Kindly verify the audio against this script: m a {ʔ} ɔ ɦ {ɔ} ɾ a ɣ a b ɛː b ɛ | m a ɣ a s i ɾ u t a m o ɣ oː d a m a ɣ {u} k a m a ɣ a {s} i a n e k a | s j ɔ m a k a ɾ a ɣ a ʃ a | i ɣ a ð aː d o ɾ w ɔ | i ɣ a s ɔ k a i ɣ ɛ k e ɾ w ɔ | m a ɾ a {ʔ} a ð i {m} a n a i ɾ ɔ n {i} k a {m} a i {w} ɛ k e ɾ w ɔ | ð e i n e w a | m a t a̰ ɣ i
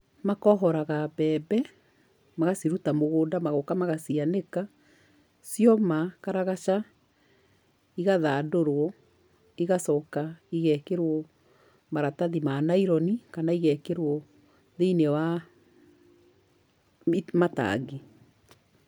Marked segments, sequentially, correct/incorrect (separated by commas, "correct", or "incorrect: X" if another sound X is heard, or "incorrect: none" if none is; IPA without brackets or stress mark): incorrect: k, correct, incorrect: o, correct, incorrect: t, correct, correct, incorrect: n, incorrect: ɣ